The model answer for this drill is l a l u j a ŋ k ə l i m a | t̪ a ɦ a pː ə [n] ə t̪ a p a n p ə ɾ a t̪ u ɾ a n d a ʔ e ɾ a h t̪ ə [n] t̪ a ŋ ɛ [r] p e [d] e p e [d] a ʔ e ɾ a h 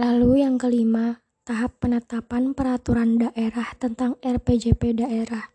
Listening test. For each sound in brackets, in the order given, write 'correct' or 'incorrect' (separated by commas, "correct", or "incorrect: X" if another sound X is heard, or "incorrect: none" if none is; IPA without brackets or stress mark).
correct, correct, correct, incorrect: d͡ʒ, correct